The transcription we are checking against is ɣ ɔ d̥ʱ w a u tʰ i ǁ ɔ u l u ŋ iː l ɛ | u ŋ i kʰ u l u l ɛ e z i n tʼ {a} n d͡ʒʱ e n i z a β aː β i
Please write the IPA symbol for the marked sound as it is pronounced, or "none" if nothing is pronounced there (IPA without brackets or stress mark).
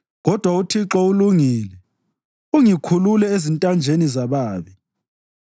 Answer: a